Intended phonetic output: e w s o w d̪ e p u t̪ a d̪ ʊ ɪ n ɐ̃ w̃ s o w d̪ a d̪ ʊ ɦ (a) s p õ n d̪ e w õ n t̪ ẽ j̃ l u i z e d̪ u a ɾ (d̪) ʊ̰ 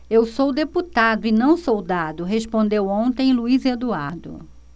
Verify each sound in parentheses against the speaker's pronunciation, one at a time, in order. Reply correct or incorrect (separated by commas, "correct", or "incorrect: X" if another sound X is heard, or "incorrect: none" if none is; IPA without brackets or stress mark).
incorrect: e, correct